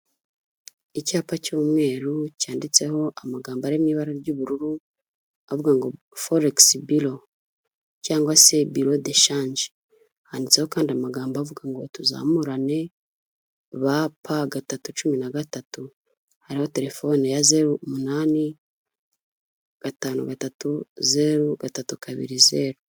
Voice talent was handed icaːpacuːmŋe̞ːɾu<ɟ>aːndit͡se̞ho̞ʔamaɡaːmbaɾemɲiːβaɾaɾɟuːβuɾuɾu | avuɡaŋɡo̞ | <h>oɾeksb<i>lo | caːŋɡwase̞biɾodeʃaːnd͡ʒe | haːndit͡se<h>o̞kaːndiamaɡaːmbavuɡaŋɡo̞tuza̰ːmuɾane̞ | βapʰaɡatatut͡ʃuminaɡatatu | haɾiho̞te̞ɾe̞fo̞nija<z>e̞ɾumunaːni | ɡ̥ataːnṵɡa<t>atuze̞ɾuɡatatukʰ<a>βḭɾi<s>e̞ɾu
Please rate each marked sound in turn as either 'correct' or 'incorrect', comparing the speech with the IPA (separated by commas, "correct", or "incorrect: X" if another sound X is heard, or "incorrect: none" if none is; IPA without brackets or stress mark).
incorrect: c, incorrect: f, correct, correct, correct, correct, correct, incorrect: z